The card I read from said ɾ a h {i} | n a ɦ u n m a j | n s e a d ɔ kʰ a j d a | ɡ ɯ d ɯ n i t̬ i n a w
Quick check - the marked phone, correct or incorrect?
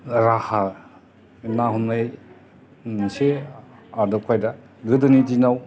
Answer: incorrect: a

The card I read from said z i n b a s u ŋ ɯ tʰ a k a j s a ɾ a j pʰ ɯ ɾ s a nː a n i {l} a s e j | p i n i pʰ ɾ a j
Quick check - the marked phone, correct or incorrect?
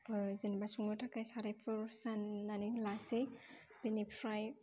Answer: correct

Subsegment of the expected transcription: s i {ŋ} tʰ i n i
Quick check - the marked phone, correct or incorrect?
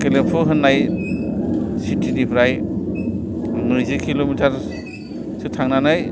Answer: incorrect: none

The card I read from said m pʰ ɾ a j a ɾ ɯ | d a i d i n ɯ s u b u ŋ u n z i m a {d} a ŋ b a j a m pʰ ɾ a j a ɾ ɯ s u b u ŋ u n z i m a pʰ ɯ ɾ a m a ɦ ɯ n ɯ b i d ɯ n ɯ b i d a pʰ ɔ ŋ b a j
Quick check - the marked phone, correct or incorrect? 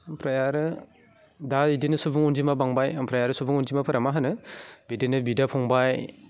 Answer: incorrect: b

